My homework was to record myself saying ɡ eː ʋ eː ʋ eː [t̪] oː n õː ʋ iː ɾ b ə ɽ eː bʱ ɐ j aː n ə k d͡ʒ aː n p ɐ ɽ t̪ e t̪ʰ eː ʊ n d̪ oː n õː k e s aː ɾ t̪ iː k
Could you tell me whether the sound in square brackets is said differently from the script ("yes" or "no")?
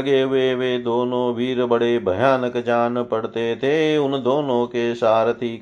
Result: yes